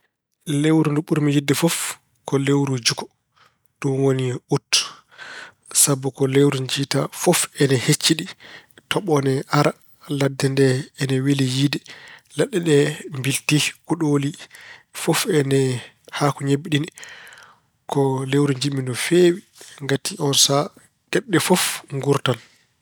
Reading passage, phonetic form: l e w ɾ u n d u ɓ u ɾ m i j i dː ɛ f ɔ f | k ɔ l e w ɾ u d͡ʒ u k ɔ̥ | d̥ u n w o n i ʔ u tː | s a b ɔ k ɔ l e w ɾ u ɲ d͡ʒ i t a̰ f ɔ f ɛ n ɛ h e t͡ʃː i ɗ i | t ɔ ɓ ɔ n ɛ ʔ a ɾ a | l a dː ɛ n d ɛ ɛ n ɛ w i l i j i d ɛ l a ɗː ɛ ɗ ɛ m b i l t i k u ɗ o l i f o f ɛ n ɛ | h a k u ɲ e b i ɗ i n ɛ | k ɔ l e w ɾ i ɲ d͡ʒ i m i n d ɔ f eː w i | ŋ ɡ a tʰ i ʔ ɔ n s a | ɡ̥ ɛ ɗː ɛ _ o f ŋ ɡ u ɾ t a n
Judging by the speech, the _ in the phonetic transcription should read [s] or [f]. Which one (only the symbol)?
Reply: f